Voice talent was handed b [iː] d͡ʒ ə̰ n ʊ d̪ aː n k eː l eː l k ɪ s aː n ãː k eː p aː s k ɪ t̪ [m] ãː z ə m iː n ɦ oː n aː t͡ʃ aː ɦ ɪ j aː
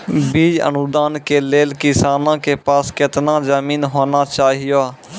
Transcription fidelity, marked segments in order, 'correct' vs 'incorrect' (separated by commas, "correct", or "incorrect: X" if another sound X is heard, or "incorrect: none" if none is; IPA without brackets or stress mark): correct, incorrect: n